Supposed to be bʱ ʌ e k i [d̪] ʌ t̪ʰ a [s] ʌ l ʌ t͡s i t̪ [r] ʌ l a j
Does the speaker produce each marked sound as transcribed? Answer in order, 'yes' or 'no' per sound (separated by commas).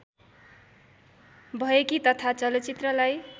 no, no, yes